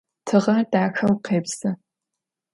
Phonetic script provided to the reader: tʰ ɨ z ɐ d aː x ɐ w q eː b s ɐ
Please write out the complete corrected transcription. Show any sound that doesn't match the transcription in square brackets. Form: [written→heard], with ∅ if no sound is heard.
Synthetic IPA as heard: tʰ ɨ [z→ʁ] ɐ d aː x ɐ w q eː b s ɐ